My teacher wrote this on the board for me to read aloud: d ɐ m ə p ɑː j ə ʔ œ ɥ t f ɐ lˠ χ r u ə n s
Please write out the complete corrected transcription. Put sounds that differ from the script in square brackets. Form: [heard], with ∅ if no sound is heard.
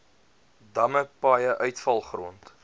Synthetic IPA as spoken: d ɐ m ə p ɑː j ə ʔ œ ɥ t f ɐ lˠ χ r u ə n [t]